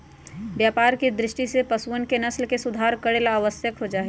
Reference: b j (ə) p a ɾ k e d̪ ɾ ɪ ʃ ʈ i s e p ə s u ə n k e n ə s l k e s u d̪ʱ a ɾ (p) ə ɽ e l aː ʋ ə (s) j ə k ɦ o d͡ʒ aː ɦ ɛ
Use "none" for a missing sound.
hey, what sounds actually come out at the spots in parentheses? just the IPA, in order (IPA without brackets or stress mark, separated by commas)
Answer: a, k, s